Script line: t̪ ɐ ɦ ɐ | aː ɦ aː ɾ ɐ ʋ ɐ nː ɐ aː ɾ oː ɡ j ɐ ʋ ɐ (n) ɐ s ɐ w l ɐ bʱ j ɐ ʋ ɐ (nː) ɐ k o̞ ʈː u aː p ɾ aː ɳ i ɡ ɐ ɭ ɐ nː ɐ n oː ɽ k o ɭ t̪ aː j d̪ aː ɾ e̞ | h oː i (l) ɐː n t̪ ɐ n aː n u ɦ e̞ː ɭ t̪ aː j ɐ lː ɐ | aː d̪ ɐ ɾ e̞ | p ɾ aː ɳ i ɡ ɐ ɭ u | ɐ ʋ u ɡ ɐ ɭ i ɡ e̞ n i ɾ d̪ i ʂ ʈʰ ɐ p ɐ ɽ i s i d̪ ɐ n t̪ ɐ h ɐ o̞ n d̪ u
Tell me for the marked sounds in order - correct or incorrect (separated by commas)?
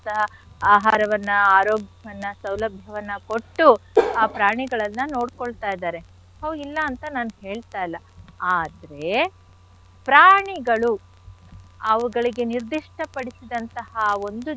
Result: incorrect, correct, incorrect